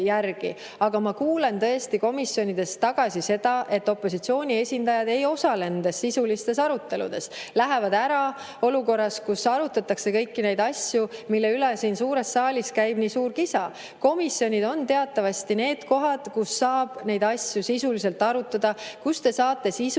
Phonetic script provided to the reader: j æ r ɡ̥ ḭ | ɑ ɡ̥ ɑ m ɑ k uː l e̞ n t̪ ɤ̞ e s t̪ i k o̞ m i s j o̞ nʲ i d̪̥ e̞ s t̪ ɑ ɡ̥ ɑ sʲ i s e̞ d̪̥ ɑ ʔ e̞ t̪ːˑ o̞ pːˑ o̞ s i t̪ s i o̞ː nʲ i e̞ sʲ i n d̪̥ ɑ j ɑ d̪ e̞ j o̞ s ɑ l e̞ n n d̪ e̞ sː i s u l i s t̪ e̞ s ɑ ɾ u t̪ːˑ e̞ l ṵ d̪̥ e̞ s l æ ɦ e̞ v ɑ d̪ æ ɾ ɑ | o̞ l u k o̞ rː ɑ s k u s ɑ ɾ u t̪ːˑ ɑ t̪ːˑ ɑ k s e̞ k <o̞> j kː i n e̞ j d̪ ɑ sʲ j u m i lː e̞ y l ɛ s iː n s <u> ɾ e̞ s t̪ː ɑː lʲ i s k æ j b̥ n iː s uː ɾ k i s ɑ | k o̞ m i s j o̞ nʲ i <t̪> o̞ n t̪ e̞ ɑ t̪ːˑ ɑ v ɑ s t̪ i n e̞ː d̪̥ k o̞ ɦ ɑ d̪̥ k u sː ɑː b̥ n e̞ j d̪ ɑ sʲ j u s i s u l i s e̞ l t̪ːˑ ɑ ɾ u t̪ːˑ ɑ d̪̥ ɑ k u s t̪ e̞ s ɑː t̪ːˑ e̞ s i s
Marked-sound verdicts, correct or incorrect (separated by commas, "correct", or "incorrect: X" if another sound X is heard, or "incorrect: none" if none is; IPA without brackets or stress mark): incorrect: ɤ̞, incorrect: uː, incorrect: d̪